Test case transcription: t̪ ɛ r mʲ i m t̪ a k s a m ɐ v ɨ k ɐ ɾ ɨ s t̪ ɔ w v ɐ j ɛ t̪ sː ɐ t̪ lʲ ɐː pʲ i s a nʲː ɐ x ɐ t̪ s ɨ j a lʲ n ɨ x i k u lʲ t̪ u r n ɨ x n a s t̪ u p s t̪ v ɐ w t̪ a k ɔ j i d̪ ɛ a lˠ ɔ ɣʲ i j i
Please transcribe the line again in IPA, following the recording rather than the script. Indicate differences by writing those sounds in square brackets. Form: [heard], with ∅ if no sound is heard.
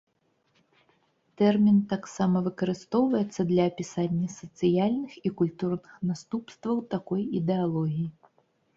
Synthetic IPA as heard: t̪ ɛ r mʲ i [n] t̪ a k s a m ɐ v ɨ k ɐ ɾ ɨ s t̪ ɔ w v ɐ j ɛ t̪ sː ɐ [d̪] lʲ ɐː pʲ i s a nʲː ɐ [s] ɐ t̪ s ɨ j a lʲ n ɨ x i k u lʲ t̪ u r n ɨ x n a s t̪ u p s t̪ v ɐ w t̪ a k ɔ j i d̪ ɛ a lˠ ɔ ɣʲ i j i